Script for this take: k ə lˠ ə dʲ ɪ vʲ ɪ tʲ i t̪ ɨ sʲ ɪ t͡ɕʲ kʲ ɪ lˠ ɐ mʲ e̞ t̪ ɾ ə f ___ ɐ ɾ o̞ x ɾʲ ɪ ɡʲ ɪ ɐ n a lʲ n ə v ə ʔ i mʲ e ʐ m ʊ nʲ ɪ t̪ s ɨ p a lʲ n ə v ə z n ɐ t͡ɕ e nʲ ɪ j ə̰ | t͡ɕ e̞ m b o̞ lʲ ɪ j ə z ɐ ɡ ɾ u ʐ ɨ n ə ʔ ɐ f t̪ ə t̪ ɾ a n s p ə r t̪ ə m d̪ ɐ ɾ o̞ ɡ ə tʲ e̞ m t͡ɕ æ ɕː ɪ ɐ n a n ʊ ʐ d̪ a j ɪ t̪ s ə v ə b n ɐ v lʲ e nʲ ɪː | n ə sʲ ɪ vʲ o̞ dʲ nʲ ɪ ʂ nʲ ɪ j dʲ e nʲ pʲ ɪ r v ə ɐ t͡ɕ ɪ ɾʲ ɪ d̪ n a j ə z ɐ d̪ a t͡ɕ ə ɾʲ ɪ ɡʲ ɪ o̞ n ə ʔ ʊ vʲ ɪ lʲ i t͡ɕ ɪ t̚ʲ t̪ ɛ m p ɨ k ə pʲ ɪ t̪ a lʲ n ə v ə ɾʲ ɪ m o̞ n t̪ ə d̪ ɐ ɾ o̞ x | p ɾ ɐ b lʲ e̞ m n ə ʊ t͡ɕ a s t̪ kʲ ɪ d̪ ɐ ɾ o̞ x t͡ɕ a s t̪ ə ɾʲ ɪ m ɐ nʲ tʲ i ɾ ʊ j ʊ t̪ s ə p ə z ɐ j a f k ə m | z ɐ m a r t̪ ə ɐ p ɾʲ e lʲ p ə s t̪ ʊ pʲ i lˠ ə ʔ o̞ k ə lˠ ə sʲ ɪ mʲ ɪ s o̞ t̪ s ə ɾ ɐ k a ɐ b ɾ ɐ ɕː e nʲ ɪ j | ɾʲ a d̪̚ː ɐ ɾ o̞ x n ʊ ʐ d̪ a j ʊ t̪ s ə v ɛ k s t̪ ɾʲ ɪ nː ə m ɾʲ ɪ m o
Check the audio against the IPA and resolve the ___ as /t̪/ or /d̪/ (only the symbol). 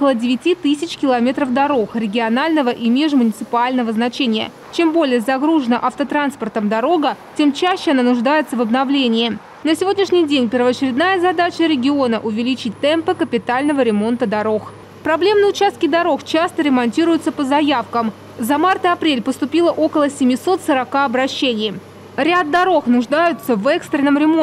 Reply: d̪